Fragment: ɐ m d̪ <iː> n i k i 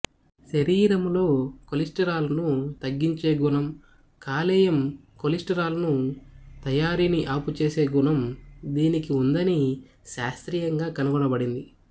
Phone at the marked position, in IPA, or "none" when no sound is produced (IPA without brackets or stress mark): iː